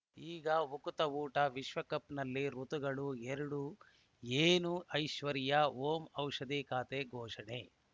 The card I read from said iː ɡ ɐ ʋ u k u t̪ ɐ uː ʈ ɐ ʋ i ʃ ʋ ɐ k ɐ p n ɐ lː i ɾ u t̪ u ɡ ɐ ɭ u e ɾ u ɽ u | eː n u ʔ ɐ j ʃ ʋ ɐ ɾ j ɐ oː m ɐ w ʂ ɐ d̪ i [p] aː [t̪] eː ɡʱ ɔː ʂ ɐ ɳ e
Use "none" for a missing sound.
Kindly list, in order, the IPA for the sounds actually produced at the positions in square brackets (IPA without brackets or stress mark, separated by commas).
k, t̪